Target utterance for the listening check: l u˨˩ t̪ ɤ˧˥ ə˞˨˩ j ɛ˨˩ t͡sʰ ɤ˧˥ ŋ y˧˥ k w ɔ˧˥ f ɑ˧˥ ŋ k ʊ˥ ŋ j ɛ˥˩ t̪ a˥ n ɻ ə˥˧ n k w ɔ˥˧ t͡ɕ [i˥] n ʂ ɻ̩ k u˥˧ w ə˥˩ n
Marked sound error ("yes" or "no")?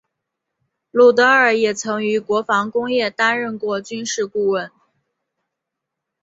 yes